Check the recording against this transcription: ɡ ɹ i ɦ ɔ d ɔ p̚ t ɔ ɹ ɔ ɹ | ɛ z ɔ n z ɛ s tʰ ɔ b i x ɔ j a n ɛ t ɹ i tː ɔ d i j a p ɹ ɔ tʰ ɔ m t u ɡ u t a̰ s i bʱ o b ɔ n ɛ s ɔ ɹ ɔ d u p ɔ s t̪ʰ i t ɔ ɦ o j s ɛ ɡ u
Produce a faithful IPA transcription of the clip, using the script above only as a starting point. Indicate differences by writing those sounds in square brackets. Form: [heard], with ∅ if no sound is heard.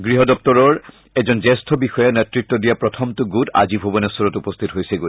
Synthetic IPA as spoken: ɡ ɹ i ɦ ɔ d ɔ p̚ t ɔ ɹ ɔ ɹ | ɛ z ɔ n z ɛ s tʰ ɔ b i x ɔ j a n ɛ t ɹ i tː ɔ d i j a p ɹ ɔ tʰ ɔ m t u ɡ u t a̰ [z] i bʱ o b ɔ n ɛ s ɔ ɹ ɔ [t] u p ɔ s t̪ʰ i t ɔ ɦ o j s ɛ ɡ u